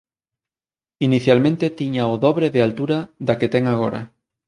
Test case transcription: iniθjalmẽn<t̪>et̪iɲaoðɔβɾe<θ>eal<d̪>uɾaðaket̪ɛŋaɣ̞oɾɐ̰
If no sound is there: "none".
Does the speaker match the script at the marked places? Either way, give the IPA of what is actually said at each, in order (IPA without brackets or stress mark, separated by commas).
t̪, ð, t̪